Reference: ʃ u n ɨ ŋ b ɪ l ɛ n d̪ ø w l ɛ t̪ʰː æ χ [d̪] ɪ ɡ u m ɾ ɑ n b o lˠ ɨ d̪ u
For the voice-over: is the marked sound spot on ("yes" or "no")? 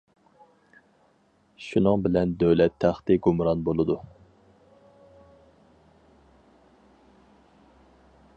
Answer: no